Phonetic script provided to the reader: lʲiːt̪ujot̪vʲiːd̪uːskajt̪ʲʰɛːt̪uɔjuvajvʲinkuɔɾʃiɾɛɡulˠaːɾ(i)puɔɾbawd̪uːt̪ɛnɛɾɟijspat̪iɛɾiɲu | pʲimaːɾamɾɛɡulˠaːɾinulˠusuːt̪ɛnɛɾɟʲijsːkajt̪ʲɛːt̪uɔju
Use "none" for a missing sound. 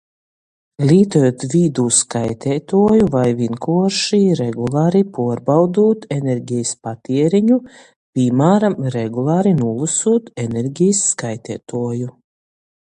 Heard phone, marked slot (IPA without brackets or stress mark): i